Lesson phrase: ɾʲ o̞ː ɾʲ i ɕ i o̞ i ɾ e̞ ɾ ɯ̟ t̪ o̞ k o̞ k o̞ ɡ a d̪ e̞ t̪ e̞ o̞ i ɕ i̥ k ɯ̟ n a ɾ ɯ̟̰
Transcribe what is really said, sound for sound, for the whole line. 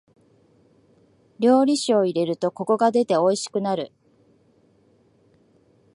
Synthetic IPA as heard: ɾʲ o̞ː ɾʲ i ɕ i o̞ i ɾ e̞ ɾ ɯ̟ t̪ o̞ k o̞ k o̞ ɡ a d̪ e̞ t̪ e̞ o̞ i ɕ i̥ k ɯ̟ n a ɾ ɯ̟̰